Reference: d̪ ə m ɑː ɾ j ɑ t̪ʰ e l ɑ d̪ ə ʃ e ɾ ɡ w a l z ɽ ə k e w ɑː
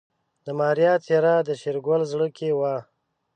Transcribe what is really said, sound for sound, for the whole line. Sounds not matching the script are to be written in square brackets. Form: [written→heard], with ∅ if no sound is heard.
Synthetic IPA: d̪ ə m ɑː ɾ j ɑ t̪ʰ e [l→ɾ] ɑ d̪ ə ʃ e ɾ ɡ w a l z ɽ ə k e w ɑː